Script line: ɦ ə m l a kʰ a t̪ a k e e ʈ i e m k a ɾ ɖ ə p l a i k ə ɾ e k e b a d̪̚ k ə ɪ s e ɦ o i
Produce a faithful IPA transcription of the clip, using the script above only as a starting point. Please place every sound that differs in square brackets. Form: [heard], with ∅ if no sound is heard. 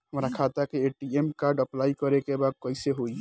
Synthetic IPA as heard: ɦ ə m [ɾ] a kʰ a t̪ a k e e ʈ i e m k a ɾ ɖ ə p l a i k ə ɾ e k e b a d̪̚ k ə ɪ s e ɦ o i